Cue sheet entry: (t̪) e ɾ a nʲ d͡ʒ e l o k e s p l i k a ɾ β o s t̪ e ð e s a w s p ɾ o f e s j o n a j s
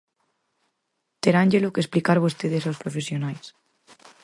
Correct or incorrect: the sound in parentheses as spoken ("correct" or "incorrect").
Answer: correct